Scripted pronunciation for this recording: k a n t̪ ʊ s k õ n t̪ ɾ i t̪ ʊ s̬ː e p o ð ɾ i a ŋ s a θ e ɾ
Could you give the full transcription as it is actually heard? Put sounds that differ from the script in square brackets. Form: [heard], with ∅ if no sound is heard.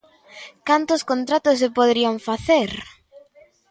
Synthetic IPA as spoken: k a n t̪ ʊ s k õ n t̪ ɾ [a] t̪ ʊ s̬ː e p o ð ɾ i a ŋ [f] a θ e ɾ